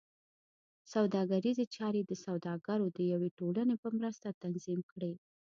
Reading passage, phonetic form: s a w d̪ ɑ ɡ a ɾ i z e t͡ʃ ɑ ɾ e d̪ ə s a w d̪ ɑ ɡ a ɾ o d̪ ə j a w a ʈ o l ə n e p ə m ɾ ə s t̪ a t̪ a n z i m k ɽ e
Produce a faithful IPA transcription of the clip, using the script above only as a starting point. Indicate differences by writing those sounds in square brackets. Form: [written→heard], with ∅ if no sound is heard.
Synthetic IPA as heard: s a w d̪ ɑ ɡ a ɾ i z e t͡ʃ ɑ ɾ e d̪ ə s a w d̪ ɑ ɡ a ɾ o d̪ ə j a w [a→e] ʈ o l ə n e p ə m ɾ ə s t̪ a t̪ a n z i m k ɽ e